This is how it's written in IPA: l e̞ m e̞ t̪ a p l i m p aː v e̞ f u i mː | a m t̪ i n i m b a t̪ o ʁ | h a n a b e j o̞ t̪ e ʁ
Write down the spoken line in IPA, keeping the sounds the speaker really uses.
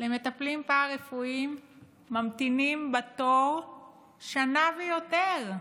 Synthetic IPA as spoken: l e̞ m e̞ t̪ a p l i m p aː ʁ e̞ f u i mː | a m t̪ i n i m b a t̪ o ʁ | ʃ a n a v e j o̞ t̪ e ʁ